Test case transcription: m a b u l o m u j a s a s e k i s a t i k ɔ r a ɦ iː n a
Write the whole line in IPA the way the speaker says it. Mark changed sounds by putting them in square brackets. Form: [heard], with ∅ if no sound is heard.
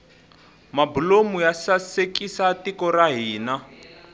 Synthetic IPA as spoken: m a b u l o m u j a s a s e k i s a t i k ɔ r a ɦ iː n a